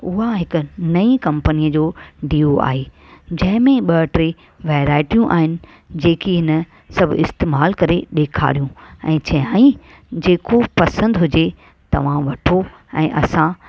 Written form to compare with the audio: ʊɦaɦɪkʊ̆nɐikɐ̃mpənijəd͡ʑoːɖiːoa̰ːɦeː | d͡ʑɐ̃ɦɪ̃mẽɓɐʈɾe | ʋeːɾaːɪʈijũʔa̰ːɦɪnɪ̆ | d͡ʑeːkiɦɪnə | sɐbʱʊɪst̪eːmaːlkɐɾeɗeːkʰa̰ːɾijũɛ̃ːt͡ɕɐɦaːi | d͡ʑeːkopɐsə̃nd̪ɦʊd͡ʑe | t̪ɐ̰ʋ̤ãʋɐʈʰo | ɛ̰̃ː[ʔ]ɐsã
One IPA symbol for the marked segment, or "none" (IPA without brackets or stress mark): ʔ